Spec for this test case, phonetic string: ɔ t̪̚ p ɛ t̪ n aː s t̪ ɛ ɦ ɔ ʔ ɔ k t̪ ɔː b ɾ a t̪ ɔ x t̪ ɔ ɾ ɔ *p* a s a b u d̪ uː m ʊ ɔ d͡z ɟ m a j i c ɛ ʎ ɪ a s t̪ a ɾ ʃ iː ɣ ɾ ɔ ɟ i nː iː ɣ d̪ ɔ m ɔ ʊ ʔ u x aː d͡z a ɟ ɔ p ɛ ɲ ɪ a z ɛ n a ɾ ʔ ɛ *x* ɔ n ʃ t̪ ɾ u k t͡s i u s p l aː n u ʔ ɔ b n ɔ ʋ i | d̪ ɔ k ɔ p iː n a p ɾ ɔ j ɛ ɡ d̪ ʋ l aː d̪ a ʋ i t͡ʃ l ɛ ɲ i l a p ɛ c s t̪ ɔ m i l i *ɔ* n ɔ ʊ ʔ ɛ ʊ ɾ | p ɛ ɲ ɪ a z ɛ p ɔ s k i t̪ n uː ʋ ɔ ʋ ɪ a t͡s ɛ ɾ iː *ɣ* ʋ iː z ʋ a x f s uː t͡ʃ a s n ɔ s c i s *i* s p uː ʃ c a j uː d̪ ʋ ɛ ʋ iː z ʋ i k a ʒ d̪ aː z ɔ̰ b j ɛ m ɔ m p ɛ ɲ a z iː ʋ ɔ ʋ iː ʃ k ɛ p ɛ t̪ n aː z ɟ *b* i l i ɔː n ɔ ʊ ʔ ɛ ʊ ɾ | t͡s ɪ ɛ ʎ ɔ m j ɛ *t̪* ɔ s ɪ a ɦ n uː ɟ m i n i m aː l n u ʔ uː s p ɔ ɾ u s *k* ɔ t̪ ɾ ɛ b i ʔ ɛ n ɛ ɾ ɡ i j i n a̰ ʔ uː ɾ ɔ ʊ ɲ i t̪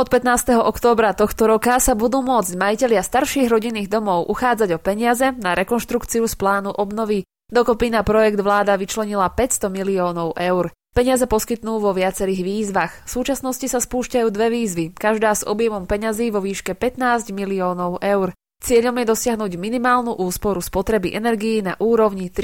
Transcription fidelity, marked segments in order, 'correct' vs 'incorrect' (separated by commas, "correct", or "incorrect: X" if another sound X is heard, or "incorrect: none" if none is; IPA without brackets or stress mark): incorrect: k, incorrect: k, incorrect: ɔː, correct, incorrect: a, incorrect: m, incorrect: d̪, incorrect: p